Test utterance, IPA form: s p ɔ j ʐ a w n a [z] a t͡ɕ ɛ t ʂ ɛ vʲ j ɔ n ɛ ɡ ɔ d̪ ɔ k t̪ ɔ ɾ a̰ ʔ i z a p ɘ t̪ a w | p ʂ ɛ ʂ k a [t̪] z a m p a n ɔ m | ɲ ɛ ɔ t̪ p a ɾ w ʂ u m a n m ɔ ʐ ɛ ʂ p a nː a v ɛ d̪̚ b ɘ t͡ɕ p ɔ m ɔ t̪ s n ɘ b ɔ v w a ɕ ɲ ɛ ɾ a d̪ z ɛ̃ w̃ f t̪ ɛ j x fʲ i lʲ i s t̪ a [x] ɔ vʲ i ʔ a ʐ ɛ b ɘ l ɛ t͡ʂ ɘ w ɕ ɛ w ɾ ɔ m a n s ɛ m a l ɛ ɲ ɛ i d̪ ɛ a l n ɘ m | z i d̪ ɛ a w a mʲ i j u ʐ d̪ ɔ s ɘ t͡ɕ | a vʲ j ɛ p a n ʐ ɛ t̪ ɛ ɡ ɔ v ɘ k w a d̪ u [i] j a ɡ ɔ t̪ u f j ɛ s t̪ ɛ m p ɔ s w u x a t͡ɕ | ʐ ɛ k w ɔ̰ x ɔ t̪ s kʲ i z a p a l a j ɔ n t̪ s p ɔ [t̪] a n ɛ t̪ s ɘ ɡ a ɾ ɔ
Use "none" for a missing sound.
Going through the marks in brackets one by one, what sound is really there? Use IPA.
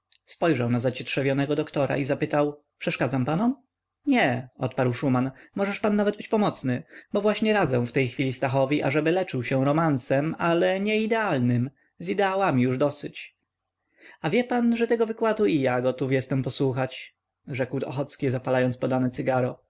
z, d̪, x, i, d̪

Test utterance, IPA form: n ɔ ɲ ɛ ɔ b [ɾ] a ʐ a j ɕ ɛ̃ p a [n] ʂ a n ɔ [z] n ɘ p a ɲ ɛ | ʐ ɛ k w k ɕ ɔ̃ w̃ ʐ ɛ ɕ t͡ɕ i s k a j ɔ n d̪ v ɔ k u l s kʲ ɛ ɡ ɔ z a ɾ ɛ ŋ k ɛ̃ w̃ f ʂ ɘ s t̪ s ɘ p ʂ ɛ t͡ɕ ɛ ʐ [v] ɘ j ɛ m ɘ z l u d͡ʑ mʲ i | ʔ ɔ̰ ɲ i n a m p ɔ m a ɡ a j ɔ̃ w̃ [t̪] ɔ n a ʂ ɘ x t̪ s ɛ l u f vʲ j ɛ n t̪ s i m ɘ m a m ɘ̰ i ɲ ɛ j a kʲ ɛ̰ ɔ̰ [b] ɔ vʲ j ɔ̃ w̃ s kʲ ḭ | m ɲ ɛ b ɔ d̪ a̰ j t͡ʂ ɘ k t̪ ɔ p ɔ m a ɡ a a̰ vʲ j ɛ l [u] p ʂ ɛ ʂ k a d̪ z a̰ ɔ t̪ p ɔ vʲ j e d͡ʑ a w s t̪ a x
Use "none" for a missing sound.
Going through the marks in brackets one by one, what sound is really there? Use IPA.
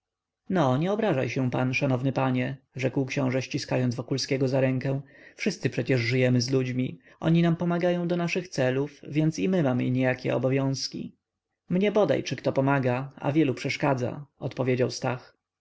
ɾ, n, v, ʐ, d̪, b, u

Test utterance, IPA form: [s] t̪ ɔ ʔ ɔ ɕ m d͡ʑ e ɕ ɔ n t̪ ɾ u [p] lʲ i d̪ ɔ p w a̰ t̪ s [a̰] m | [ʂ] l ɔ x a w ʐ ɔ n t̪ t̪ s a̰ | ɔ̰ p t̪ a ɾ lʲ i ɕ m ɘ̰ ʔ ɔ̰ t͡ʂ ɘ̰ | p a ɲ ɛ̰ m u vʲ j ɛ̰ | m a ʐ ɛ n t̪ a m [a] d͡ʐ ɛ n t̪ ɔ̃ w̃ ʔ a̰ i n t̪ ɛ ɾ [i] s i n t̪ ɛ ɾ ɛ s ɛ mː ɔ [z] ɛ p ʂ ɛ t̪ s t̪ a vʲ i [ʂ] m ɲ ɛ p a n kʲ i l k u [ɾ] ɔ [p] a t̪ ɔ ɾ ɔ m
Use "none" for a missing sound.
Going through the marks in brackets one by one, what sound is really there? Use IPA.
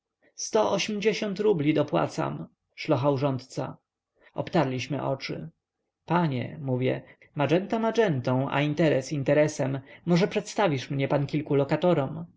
s, b, a̰, ʂ, a, ɛ, ʐ, ʂ, l, k

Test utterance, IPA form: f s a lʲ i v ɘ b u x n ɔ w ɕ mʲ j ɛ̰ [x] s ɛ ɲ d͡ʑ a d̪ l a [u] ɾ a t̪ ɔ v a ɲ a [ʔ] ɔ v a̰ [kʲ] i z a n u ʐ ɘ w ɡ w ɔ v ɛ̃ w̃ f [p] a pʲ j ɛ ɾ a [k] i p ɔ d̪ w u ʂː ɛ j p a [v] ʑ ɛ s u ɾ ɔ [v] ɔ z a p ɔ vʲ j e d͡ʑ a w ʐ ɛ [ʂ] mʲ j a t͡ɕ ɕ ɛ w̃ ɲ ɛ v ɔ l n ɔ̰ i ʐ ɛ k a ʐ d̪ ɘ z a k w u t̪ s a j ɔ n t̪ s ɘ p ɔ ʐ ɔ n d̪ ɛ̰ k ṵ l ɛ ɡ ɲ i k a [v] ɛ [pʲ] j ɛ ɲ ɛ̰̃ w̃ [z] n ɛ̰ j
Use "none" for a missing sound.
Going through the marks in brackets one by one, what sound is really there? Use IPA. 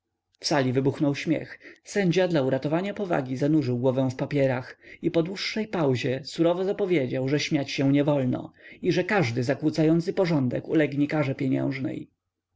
x, u, p, ɡʲ, p, x, w, v, ɕ, ʐ, pʲ, ʐ

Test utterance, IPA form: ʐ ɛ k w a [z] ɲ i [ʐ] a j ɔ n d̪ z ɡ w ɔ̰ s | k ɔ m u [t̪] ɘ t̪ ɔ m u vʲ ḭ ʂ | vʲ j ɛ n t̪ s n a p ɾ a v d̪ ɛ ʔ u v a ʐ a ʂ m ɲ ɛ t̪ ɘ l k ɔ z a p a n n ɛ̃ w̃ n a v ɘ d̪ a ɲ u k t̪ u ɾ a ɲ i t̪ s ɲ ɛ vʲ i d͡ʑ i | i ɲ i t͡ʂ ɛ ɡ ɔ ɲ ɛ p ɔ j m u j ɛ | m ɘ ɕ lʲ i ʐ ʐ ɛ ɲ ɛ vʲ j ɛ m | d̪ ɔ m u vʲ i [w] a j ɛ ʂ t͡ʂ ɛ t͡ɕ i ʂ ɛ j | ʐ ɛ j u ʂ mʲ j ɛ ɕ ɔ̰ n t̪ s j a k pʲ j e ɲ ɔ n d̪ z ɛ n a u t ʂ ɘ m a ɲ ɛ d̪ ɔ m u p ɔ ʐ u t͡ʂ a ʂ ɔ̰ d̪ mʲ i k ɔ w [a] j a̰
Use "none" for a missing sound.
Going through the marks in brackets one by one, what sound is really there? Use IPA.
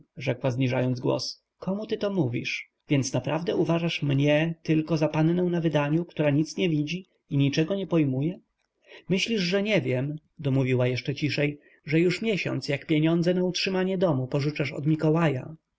z, ʐ, t̪, w, a

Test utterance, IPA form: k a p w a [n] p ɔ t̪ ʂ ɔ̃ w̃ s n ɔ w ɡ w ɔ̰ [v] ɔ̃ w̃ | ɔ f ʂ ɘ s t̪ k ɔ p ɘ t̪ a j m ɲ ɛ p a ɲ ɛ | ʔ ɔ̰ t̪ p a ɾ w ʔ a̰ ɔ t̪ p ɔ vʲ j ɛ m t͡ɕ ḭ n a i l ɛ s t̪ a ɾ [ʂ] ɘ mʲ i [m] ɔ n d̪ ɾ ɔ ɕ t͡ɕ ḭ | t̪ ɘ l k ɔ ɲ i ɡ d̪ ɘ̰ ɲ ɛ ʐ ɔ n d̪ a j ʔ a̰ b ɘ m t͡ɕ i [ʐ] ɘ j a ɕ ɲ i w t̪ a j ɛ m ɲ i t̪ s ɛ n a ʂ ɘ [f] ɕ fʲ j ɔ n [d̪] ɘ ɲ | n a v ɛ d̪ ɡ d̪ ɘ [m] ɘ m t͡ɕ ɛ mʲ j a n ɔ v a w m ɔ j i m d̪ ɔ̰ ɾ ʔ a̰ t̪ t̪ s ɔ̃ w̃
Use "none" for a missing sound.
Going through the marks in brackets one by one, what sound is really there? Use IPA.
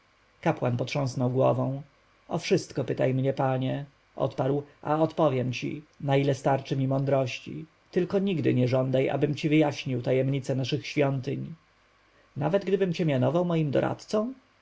n, v, t͡ʂ, m, v, x, t̪, b

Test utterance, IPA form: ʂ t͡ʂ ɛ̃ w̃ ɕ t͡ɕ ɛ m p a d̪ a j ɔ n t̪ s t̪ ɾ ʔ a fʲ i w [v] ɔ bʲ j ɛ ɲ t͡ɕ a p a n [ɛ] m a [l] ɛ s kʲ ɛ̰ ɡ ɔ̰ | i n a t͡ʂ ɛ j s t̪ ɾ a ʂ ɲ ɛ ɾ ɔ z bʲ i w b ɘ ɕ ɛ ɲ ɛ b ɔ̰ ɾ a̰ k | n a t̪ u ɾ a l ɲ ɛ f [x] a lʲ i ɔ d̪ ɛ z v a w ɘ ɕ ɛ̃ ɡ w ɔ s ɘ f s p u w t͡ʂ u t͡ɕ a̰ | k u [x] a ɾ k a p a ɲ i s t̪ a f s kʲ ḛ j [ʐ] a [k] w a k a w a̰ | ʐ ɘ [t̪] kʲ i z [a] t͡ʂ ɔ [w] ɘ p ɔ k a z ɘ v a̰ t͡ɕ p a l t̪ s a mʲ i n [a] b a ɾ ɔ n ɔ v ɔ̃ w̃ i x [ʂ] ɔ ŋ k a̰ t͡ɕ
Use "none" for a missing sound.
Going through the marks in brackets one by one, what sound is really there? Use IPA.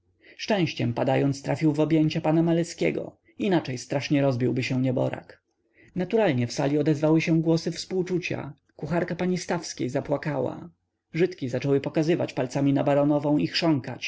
v, a, l, s, x, z, p, t̪, a, w, a, ʂ

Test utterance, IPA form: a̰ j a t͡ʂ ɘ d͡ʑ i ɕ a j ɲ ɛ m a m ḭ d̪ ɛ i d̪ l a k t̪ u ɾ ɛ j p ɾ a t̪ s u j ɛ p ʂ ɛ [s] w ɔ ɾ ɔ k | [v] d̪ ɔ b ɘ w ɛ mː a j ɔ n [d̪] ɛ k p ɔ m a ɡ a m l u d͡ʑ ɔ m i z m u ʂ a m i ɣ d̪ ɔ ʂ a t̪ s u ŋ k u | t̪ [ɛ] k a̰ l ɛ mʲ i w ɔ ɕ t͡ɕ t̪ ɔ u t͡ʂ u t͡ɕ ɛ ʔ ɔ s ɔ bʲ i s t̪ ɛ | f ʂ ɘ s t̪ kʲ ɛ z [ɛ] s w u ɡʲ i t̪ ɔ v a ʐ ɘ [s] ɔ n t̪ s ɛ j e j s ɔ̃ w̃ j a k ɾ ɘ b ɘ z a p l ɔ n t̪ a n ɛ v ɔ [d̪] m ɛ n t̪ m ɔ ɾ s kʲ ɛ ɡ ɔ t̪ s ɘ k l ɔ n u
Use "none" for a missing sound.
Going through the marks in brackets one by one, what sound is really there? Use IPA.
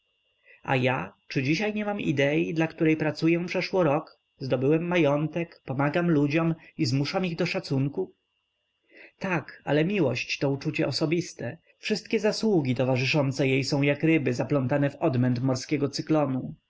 ʂ, z, t̪, a, a, ʂ, d̪

